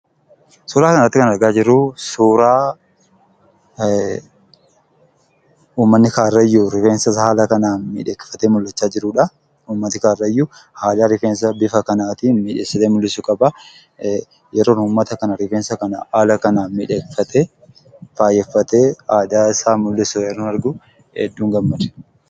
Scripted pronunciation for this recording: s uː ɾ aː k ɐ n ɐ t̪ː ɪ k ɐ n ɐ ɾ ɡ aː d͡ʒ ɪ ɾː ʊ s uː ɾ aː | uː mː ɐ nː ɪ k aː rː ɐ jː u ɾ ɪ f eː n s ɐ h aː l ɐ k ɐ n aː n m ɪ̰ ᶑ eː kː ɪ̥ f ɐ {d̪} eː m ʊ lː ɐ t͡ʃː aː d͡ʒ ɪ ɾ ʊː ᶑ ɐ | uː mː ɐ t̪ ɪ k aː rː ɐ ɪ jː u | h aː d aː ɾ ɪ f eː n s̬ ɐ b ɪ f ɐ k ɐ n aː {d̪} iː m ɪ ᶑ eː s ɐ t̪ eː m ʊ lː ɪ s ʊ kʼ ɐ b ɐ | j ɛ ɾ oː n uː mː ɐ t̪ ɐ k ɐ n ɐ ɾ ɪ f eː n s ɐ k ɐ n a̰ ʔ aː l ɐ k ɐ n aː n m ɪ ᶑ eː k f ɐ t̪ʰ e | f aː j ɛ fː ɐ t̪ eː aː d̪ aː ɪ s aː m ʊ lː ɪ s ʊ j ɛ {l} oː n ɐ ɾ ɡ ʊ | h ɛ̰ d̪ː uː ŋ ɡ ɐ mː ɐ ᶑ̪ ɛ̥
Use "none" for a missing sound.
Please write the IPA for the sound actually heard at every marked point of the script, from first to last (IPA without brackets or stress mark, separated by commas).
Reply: t̪, t̪, ɾ